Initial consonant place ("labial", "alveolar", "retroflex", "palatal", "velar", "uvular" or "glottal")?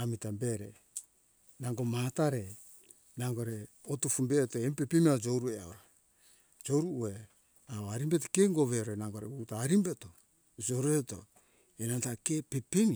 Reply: labial